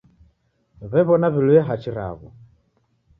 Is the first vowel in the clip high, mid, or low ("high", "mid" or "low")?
mid